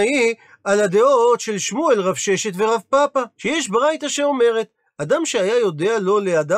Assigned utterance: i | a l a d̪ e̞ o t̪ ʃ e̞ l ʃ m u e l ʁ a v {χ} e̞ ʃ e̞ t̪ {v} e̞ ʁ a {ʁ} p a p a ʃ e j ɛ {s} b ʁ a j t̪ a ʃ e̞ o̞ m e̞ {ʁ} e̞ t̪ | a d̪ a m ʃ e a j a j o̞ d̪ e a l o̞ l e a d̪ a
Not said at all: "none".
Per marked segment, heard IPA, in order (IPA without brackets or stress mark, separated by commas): ʃ, v, v, ʃ, ʁ